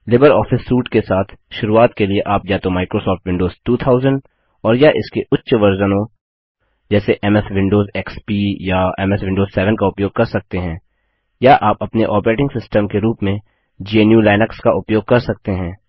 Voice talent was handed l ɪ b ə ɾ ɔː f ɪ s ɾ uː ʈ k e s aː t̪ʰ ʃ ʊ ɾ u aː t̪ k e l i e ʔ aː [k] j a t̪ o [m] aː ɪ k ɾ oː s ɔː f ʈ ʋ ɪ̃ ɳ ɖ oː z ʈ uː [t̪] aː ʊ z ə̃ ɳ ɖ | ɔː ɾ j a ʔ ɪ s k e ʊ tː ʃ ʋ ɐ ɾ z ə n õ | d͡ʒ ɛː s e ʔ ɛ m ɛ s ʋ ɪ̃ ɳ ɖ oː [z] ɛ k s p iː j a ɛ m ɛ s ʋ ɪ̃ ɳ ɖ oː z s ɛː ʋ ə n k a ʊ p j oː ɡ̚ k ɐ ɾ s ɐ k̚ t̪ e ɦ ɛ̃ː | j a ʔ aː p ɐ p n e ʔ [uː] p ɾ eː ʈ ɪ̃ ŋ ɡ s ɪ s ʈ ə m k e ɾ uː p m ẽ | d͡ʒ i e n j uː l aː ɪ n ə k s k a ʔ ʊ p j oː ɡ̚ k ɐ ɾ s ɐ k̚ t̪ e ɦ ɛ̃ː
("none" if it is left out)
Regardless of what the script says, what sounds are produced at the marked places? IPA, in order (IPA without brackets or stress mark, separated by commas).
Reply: p, m, t̪ʰ, z, ɔː